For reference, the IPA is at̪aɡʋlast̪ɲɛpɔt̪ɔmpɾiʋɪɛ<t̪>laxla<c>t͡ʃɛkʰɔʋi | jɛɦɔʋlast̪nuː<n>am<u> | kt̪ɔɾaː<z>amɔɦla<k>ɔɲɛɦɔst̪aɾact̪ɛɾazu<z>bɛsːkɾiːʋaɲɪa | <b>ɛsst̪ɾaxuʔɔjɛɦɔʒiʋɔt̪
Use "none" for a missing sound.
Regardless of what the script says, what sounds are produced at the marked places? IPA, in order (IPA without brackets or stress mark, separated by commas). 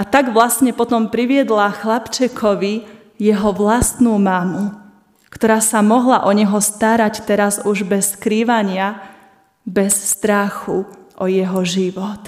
d̪, p, m, u, s, ʔ, ʒ, b